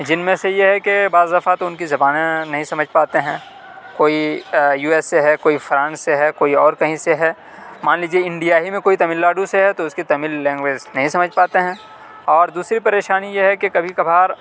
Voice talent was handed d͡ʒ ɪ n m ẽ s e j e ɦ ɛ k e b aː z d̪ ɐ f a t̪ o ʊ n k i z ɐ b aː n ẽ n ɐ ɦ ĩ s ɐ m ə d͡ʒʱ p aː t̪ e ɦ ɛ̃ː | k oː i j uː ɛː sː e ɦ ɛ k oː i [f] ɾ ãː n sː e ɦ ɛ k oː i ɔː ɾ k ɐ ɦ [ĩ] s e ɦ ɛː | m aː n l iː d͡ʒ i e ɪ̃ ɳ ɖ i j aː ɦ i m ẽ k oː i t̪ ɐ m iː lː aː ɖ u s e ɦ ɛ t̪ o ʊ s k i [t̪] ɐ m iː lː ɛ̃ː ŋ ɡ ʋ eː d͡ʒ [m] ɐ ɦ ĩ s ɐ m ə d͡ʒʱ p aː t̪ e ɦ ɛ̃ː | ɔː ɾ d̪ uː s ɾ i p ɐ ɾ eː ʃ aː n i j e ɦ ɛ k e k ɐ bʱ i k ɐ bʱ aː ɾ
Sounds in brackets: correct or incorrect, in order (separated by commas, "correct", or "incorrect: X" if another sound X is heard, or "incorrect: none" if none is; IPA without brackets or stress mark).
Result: correct, correct, correct, incorrect: n